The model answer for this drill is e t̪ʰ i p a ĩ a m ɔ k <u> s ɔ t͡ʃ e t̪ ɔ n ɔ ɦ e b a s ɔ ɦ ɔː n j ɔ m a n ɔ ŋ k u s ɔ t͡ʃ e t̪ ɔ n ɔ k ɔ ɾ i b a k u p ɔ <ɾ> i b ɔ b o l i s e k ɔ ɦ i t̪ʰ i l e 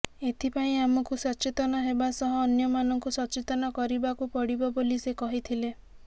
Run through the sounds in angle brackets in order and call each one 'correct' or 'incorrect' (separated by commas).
correct, incorrect